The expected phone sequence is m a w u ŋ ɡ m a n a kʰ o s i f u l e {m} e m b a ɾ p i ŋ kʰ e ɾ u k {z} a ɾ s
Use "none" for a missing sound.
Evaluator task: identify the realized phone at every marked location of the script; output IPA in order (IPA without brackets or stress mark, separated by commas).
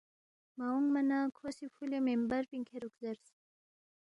m, z